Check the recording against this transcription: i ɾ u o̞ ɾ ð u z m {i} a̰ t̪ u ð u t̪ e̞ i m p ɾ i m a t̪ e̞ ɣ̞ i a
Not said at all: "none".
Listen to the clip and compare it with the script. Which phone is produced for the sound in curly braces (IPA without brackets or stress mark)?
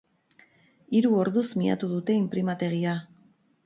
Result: i